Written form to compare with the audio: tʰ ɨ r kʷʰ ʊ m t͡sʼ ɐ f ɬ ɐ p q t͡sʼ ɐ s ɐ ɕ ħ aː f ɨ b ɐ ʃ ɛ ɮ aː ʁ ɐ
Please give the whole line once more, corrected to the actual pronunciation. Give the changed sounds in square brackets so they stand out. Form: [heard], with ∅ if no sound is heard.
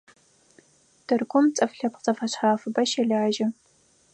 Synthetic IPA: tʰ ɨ r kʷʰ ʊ m t͡sʼ ɐ f ɬ ɐ p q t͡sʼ ɐ [f] ɐ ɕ ħ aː f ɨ b ɐ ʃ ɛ ɮ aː [ʒ] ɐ